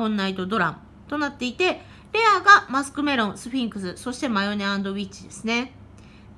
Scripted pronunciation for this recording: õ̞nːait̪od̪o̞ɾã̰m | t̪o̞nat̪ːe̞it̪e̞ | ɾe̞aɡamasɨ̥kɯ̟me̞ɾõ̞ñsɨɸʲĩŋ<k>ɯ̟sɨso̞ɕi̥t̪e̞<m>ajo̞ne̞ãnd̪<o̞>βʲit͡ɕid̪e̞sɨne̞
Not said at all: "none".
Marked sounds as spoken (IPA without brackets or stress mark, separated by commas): k, m, o̞